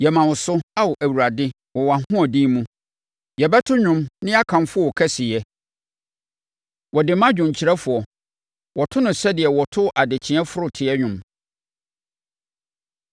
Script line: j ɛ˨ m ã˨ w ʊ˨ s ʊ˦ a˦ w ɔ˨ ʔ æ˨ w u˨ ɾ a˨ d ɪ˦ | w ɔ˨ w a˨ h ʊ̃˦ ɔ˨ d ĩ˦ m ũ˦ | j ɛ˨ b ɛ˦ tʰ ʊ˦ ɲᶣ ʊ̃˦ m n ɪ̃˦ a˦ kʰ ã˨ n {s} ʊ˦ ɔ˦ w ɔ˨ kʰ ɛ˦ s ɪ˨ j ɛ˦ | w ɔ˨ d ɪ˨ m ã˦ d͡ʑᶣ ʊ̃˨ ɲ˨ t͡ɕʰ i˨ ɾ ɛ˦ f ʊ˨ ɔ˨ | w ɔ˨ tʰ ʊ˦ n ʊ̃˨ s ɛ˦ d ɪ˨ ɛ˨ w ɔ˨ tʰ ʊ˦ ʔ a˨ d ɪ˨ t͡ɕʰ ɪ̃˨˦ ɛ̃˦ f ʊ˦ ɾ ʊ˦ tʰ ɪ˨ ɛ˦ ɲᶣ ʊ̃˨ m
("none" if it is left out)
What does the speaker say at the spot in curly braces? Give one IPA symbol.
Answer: f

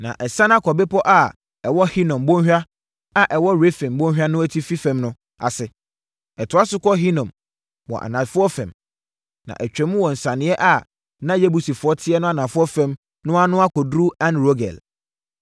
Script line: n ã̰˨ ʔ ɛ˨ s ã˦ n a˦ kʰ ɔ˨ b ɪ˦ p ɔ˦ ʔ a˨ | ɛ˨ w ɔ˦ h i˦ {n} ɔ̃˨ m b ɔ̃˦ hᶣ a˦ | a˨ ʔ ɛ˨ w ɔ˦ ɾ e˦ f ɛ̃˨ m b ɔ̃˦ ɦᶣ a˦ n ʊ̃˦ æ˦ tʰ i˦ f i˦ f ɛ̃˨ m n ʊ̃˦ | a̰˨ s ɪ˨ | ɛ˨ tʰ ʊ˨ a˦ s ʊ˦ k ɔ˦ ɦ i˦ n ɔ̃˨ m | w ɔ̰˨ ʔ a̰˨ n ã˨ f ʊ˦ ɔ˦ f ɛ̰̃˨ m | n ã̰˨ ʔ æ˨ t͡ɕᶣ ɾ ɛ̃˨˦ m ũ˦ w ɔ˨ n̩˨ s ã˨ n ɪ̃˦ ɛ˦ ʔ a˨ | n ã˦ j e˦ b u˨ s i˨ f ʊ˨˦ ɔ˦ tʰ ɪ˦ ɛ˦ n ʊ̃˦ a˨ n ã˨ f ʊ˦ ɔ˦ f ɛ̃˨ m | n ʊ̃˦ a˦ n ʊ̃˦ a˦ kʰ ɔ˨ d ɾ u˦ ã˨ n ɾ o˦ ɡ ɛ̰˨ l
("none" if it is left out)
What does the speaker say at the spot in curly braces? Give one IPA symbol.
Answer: n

